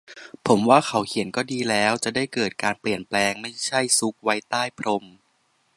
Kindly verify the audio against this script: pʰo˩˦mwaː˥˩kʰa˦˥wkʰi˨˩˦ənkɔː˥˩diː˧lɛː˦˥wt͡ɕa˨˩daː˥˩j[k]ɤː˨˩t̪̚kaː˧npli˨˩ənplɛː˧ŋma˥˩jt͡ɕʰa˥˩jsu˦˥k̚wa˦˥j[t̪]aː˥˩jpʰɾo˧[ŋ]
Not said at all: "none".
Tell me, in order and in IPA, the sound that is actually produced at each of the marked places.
k, t̪, m

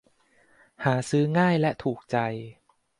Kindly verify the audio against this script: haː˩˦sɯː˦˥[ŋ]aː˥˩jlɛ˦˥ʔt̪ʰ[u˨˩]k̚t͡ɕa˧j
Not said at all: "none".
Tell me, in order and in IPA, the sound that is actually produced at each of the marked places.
ŋ, uː˨˩

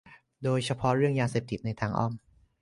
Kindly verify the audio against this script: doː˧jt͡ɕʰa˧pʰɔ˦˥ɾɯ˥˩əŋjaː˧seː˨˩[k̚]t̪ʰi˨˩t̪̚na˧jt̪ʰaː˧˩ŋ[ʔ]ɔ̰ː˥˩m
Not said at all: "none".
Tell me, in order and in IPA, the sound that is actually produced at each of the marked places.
p̚, ʔ

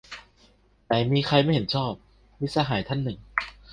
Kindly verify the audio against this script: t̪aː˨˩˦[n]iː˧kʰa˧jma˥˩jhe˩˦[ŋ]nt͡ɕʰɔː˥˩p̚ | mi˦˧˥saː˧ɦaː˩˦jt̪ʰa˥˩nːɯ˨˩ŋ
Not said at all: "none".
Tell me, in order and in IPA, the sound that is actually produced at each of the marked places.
m, none

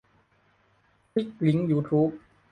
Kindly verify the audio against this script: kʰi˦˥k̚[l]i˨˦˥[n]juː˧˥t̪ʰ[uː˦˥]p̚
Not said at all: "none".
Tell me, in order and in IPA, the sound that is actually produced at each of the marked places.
l, ŋ, uː˦˥

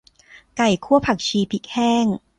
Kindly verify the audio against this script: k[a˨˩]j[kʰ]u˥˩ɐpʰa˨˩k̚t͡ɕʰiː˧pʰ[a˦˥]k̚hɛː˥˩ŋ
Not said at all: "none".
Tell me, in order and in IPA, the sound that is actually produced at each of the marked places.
a˨˩, kʰ, i˦˥

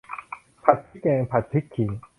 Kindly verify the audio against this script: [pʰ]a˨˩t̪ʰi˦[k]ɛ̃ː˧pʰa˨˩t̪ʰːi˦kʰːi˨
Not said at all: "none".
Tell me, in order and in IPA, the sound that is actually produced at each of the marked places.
pʰ, k

